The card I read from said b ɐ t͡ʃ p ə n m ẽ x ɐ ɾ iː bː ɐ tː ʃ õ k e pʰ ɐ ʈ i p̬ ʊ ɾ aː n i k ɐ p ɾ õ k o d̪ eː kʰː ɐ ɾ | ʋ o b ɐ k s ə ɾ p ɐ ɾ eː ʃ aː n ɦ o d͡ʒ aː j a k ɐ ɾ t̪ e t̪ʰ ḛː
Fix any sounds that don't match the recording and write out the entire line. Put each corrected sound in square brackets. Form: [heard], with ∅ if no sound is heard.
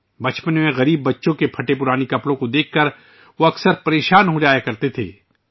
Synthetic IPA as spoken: b ɐ t͡ʃ p ə n m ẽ [ɣ] ɐ ɾ iː bː ɐ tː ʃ õ k e pʰ ɐ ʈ [e] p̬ ʊ ɾ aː n i k ɐ p [ɽ] õ k o d̪ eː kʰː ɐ ɾ | ʋ o [∅] ɐ k s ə ɾ p ɐ ɾ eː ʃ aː n ɦ o d͡ʒ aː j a k ɐ ɾ t̪ e t̪ʰ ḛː

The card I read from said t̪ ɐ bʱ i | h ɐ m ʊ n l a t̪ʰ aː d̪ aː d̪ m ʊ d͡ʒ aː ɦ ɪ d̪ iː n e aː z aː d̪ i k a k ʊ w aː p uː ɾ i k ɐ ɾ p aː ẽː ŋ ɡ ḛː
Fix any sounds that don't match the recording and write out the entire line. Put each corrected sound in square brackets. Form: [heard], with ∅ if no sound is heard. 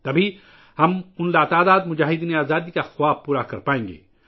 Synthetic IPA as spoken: t̪ ɐ bʱ i | h ɐ m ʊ n l a [t̪] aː d̪ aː d̪ m ʊ d͡ʒ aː ɦ ɪ d̪ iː n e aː z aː d̪ i k a [x] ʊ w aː p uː ɾ [a] k ɐ ɾ p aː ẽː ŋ ɡ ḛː

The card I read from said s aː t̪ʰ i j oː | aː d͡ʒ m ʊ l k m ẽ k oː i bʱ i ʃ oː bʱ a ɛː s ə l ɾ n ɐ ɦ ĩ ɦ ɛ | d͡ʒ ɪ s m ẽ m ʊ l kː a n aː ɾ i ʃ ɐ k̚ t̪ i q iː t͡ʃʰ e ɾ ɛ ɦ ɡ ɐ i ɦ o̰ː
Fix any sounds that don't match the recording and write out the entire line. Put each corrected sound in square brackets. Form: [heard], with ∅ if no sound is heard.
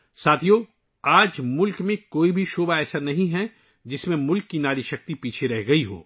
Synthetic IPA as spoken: s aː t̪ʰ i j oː | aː d͡ʒ m ʊ l k m ẽ k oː i bʱ i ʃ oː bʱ a ɛː s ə [∅] ɾ n ɐ ɦ ĩ ɦ ɛ | d͡ʒ ɪ s m ẽ m ʊ l kː [i] n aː ɾ i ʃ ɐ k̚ t̪ i [p] iː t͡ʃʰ e ɾ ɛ ɦ ɡ ɐ i ɦ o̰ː

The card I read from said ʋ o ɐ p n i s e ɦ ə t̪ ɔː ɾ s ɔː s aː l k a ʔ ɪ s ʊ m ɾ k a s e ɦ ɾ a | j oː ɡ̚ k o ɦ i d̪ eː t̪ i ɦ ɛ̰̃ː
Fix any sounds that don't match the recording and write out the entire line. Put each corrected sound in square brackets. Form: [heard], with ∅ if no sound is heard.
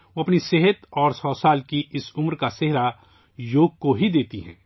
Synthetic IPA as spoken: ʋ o ɐ p n i s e ɦ ə t̪ ɔː ɾ s ɔː s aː l k [i] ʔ ɪ s ʊ m ɾ k a s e ɦ ɾ a | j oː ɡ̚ k o ɦ i d̪ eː t̪ i ɦ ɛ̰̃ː

